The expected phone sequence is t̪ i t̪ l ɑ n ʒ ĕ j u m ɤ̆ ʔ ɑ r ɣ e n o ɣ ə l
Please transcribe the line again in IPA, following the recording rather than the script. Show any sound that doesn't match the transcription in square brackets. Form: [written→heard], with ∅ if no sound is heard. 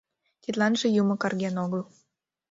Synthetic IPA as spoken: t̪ i t̪ l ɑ n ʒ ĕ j u m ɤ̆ [ʔ→k] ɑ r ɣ e n o ɣ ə l